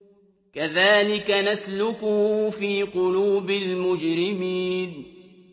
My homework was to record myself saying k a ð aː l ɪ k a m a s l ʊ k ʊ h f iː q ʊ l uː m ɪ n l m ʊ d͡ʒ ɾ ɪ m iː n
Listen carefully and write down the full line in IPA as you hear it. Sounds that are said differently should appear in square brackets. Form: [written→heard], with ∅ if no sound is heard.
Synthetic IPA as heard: k a ð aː l ɪ k a [m→n] a s l ʊ k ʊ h f iː q ʊ l uː [m→b] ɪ [n→∅] l m ʊ d͡ʒ ɾ ɪ m iː n